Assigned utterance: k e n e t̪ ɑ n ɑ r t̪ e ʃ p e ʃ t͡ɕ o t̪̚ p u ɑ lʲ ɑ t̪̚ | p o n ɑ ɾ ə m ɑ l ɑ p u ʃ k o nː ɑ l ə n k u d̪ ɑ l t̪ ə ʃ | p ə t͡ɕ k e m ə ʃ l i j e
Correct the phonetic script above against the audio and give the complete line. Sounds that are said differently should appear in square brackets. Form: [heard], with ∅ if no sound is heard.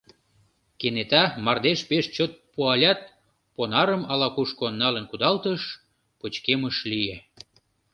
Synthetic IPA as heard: k e n e t̪ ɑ [m] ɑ r [d̪] e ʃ p e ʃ t͡ɕ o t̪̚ p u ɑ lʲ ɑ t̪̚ | p o n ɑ ɾ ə m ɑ l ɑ [k] u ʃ k o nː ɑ l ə n k u d̪ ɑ l t̪ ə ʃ | p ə t͡ɕ k e m ə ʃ l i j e

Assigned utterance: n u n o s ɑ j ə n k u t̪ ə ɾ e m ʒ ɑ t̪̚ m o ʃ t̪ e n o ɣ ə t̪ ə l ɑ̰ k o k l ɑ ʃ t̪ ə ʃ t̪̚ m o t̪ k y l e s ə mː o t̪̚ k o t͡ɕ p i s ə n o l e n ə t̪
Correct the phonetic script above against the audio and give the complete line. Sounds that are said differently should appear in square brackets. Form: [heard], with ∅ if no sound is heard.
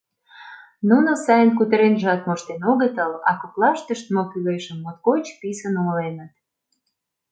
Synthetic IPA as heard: n u n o s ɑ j ə n k u t̪ ə ɾ e [n] ʒ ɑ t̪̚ m o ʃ t̪ e n o ɣ ə t̪ ə l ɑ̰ k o k l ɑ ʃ t̪ ə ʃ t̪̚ m o [∅] k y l e [ʃ] ə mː o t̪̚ k o t͡ɕ p i s ə n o l e n ə t̪

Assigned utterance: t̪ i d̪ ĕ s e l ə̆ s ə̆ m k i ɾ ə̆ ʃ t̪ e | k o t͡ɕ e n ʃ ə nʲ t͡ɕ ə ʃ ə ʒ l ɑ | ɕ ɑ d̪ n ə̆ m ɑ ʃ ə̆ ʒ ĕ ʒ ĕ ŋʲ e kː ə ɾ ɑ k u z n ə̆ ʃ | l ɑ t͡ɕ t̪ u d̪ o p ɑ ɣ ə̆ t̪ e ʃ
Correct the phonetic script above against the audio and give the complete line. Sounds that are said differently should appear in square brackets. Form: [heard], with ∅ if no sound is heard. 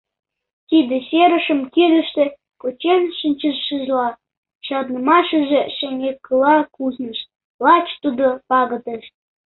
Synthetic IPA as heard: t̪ i d̪ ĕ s e [ɾ] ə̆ [ʃ] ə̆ m k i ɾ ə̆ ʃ t̪ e | k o t͡ɕ e n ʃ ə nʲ t͡ɕ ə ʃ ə ʒ l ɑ | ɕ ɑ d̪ n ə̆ m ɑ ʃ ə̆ ʒ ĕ [ʃ] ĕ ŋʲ e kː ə [l] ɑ k u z n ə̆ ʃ | l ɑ t͡ɕ t̪ u d̪ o p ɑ ɣ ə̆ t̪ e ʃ

